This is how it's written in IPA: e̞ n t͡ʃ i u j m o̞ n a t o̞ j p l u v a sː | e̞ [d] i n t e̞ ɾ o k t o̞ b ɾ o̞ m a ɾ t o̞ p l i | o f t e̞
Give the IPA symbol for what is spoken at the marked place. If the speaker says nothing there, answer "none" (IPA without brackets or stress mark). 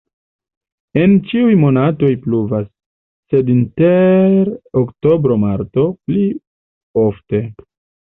d